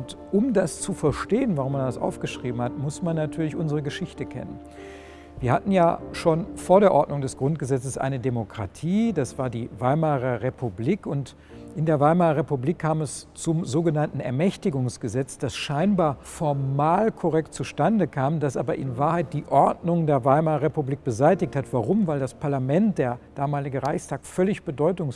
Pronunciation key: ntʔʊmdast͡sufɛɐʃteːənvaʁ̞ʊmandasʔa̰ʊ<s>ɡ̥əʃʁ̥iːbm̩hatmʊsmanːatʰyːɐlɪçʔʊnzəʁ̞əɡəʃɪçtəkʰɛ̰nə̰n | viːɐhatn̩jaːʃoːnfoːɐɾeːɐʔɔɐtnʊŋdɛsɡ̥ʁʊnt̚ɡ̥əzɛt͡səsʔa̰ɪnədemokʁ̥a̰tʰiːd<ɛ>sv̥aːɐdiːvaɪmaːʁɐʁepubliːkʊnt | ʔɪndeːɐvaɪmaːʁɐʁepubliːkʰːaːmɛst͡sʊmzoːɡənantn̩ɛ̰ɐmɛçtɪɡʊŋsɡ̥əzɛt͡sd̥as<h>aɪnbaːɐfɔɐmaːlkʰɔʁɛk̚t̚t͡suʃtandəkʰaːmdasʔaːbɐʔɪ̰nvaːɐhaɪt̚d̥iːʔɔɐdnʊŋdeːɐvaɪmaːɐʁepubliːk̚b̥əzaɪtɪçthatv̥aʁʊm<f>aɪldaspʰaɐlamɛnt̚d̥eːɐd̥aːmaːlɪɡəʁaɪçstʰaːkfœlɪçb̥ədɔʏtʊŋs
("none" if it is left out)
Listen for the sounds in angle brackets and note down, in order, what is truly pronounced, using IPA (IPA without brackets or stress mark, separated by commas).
f, a, ʃ, v